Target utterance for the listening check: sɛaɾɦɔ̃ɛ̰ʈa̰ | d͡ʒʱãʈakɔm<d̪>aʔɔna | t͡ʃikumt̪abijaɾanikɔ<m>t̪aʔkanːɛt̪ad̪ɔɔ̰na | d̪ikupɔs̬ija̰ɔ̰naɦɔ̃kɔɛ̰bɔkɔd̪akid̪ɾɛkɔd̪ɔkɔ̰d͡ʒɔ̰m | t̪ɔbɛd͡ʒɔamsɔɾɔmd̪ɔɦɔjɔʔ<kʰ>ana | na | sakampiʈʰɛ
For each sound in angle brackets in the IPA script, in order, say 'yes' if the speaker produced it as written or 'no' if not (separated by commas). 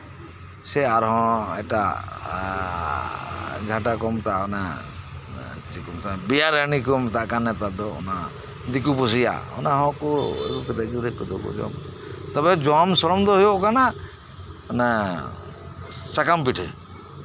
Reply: no, yes, no